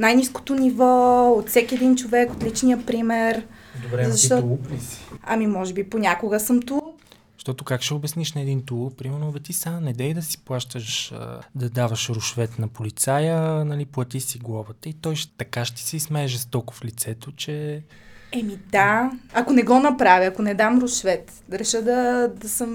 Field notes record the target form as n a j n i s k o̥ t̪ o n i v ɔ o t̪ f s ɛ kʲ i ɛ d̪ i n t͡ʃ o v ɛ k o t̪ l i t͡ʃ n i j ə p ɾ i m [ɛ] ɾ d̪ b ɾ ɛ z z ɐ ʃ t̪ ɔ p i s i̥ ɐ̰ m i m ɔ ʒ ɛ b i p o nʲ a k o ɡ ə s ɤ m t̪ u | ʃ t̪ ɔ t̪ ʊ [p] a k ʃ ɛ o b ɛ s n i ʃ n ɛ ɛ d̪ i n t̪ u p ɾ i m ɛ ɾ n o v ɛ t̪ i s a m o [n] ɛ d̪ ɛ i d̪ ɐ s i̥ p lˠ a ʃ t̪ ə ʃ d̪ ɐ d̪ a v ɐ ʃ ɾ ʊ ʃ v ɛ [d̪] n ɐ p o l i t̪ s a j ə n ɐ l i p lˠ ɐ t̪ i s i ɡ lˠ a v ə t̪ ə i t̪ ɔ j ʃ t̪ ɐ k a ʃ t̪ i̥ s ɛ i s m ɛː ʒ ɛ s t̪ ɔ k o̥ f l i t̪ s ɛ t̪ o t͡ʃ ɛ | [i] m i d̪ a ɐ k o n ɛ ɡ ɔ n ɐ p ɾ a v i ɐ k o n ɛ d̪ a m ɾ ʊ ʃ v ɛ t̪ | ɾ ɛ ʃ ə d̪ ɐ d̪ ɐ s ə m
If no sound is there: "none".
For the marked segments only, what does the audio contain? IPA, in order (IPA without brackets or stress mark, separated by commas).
ɛ, k, n, t̪, ɛ